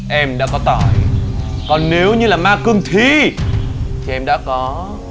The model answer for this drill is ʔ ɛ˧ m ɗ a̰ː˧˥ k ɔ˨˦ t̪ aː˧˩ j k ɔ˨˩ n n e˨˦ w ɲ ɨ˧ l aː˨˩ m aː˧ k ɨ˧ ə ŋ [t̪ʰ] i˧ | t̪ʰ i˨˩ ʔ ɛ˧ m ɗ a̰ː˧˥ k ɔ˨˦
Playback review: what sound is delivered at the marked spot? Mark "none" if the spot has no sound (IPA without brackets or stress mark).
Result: t̪ʰ